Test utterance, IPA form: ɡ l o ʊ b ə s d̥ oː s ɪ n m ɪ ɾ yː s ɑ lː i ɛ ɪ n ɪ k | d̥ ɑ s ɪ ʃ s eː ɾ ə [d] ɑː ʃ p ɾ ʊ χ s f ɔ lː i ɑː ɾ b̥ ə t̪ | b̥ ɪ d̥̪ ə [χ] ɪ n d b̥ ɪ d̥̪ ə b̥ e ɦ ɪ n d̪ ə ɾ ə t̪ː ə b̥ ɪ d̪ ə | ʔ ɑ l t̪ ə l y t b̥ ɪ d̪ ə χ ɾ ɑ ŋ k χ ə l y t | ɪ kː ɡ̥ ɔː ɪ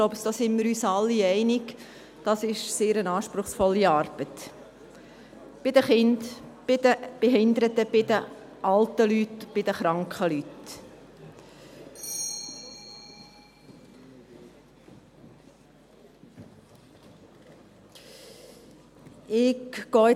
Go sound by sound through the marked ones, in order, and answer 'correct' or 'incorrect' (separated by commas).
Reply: incorrect, correct